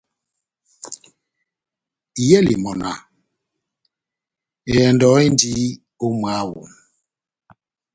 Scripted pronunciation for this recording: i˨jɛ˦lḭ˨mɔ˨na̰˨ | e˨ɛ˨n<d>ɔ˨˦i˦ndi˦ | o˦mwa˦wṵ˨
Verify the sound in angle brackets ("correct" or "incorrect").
correct